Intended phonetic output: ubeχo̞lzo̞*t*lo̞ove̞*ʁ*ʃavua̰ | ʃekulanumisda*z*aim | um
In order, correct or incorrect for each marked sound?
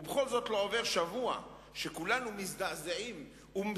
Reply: correct, correct, correct

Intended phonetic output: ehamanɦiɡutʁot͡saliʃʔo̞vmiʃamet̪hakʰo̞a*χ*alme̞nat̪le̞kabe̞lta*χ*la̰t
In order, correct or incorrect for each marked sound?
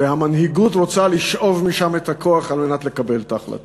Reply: correct, correct

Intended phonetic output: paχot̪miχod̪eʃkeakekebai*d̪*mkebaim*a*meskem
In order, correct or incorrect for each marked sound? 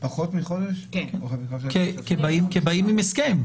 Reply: incorrect, incorrect

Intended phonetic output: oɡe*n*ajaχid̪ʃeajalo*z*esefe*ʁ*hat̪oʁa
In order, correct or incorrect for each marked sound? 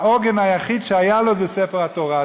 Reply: correct, correct, correct

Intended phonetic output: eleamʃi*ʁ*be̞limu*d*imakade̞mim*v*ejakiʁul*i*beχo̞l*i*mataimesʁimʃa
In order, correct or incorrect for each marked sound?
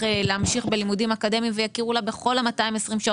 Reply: incorrect, correct, correct, incorrect, incorrect

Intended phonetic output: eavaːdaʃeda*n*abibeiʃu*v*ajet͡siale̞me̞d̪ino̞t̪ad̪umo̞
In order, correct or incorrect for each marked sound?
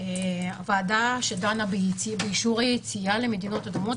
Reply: correct, incorrect

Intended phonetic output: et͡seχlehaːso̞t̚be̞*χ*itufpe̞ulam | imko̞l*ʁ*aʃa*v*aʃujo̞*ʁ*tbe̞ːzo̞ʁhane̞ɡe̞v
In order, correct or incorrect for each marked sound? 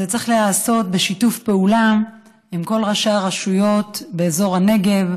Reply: incorrect, correct, incorrect, incorrect

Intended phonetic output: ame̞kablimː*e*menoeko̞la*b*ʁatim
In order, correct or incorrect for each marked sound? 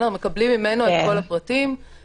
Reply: incorrect, incorrect

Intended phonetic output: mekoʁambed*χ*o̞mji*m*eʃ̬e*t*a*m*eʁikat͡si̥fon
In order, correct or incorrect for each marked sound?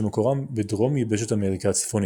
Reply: incorrect, incorrect, correct, correct

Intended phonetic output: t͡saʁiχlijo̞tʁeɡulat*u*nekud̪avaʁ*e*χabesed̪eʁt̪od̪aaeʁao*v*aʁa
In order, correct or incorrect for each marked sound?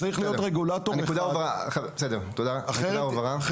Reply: incorrect, incorrect, correct

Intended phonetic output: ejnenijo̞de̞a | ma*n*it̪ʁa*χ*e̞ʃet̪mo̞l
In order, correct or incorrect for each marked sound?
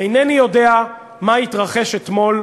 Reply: incorrect, correct

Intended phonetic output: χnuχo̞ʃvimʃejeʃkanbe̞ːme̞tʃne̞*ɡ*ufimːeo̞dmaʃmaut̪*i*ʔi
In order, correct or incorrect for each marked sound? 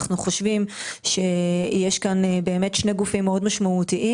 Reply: correct, correct

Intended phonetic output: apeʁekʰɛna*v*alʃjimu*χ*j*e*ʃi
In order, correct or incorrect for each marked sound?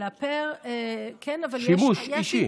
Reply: correct, incorrect, incorrect

